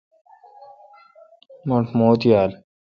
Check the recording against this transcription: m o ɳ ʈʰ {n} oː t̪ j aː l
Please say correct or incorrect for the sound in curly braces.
incorrect